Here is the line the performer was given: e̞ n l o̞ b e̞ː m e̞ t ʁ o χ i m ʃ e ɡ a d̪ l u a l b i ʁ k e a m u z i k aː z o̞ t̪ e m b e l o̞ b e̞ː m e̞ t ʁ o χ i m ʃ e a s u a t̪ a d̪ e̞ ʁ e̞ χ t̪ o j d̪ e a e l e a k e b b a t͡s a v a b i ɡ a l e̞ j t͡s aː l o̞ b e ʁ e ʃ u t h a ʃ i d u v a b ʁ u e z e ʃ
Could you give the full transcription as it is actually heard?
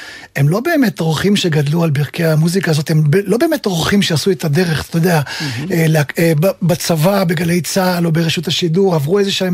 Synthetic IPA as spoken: e̞ m l o̞ b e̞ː m e̞ t ʁ o χ i m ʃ e ɡ a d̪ l u a l b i ʁ k e a m u z i k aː z o̞ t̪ e m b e l o̞ b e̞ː m e̞ t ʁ o χ i m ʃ e a s u e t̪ a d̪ e̞ ʁ e̞ χ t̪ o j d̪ e a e l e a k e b b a t͡s a v a b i ɡ a l e̞ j t͡s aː l o̞ b e ʁ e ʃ u t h a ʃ i d u ʁ a v ʁ u e z e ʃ